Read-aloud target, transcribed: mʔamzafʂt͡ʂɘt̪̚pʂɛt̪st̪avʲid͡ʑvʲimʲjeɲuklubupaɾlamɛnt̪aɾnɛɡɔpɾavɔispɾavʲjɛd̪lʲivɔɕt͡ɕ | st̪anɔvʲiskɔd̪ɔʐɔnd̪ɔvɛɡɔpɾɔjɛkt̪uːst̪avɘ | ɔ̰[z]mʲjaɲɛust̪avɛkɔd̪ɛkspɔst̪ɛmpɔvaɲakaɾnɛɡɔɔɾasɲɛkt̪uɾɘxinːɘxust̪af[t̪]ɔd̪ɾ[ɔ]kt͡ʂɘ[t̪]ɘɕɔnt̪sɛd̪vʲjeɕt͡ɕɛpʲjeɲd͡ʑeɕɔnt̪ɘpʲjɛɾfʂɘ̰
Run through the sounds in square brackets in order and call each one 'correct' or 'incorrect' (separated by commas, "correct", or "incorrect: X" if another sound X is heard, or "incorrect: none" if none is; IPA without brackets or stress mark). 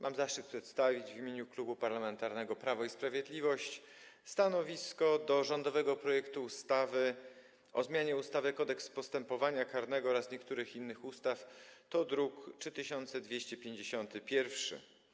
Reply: correct, correct, incorrect: u, correct